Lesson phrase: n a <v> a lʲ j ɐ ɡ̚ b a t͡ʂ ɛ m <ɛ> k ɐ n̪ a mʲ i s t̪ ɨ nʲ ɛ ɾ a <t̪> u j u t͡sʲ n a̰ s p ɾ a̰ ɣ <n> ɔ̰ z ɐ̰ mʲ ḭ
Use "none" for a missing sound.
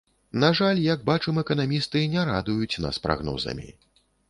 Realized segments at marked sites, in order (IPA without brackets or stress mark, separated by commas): ʐ, ɛ, d̪, n